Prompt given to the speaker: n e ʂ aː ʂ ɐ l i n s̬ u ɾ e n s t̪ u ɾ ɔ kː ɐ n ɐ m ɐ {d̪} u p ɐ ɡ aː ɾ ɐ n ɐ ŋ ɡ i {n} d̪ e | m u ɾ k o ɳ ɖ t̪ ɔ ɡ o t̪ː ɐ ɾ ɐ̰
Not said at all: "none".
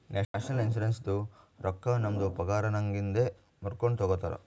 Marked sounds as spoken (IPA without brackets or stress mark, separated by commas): d̪, n